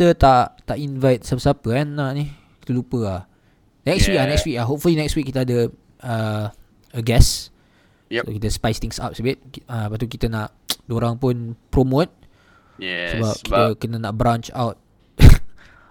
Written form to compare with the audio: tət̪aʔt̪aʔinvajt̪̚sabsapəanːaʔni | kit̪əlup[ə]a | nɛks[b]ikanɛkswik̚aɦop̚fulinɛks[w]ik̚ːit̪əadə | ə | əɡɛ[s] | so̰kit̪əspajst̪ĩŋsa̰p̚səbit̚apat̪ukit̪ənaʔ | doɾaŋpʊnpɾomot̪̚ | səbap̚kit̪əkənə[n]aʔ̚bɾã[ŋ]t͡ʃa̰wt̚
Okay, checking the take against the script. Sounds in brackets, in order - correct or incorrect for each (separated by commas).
correct, incorrect, correct, correct, correct, incorrect